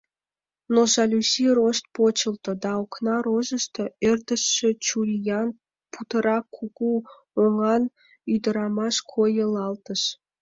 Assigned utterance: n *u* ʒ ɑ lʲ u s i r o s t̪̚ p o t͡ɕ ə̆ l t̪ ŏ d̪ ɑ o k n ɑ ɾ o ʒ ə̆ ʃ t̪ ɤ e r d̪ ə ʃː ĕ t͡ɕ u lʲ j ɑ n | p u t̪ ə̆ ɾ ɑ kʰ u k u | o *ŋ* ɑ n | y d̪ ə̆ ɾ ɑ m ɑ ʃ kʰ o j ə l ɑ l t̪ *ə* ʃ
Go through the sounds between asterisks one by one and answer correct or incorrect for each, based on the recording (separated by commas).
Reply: incorrect, correct, correct